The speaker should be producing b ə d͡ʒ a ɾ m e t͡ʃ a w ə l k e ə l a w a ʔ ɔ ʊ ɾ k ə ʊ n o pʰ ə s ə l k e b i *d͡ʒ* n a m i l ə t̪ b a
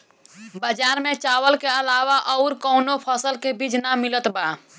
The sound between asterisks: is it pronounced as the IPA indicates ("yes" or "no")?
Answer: yes